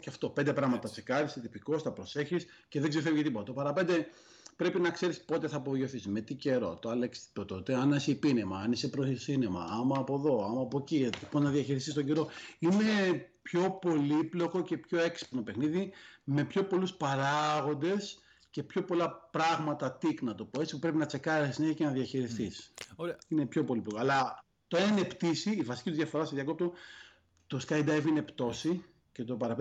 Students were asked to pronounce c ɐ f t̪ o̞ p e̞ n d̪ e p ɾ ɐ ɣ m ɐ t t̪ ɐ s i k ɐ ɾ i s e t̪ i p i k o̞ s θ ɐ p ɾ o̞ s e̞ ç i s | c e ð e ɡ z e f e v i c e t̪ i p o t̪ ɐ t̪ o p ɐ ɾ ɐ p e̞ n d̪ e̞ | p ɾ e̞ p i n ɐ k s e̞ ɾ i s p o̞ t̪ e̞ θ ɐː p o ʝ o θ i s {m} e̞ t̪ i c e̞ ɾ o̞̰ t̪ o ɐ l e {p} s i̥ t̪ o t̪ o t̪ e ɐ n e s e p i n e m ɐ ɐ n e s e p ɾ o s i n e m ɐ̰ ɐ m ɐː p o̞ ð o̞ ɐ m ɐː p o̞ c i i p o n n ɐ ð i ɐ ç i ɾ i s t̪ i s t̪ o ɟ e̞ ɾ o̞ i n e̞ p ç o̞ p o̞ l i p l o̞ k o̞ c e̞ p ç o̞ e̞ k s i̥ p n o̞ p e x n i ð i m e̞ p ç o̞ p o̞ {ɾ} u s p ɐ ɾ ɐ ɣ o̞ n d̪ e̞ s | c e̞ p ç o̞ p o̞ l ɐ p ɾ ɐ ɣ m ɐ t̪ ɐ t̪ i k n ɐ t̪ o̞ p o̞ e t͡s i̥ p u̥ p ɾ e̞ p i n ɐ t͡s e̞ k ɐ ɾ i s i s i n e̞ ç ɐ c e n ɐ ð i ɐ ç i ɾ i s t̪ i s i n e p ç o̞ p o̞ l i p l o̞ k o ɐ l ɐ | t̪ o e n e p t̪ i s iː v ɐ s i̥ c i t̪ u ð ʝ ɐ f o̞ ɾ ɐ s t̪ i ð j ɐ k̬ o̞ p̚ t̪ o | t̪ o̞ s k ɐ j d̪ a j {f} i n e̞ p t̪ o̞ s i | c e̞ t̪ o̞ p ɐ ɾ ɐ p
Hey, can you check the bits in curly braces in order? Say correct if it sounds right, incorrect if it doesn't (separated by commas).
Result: correct, incorrect, incorrect, incorrect